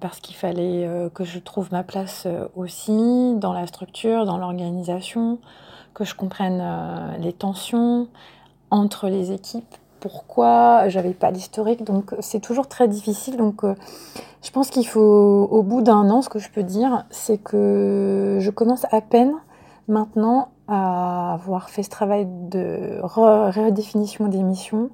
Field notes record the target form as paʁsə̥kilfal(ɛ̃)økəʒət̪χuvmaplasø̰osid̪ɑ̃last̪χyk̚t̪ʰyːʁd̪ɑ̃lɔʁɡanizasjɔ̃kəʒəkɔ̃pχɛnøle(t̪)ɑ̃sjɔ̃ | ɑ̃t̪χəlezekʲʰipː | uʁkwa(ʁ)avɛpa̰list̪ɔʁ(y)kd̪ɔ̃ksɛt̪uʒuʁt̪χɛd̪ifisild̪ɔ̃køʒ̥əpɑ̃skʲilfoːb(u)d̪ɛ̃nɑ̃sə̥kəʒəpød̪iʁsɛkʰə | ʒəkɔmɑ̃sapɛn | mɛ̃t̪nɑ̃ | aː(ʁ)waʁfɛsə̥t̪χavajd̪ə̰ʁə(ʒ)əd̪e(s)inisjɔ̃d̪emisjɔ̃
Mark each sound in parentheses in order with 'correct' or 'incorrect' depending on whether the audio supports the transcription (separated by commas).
incorrect, correct, incorrect, incorrect, correct, incorrect, incorrect, incorrect